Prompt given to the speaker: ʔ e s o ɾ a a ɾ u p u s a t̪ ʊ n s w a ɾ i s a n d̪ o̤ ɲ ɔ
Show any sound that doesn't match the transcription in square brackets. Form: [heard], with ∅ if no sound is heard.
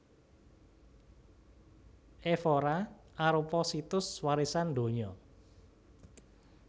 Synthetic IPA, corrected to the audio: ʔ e [f] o ɾ a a ɾ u p [ɔ] s [i] t̪ ʊ [∅] s w a ɾ i s a n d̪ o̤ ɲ ɔ